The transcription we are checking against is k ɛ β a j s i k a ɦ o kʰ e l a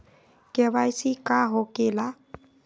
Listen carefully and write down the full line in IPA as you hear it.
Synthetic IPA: k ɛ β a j s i k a ɦ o k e l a